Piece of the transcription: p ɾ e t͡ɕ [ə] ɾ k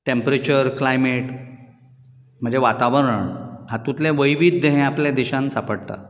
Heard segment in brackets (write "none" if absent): ə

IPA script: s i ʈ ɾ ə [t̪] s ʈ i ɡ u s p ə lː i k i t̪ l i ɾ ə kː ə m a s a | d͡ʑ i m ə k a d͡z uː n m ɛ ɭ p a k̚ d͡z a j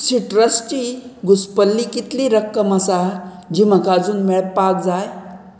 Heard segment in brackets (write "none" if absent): none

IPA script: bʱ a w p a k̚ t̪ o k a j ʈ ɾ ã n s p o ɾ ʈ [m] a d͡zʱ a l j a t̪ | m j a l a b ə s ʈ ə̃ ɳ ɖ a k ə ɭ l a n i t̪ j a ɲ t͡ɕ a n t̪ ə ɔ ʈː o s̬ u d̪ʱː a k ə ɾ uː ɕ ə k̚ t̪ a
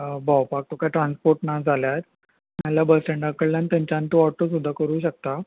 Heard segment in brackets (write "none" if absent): n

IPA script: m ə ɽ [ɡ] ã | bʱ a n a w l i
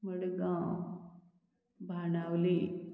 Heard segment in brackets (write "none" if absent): ɡ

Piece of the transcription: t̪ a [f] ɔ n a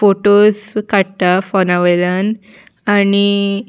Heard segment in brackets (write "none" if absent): f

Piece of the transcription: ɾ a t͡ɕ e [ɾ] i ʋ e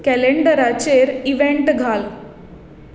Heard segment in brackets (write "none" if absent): ɾ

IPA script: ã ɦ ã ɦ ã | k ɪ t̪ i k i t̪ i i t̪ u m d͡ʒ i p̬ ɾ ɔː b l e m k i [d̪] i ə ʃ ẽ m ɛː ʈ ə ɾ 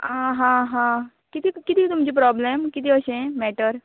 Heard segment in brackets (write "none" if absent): t̪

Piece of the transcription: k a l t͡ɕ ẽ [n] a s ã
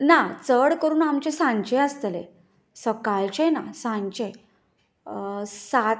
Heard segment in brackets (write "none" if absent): n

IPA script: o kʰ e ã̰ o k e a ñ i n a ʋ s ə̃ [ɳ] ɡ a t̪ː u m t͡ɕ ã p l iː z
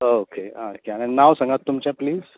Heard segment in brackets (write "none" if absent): ŋ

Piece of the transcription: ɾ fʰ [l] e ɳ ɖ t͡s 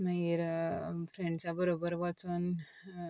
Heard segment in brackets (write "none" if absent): ɾ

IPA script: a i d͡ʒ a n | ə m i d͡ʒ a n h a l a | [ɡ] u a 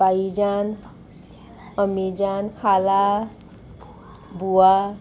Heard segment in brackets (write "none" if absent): b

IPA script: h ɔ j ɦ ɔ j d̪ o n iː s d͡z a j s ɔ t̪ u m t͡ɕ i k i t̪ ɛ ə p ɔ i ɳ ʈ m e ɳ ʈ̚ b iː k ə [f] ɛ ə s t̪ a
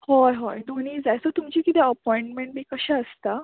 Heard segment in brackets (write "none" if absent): ɕ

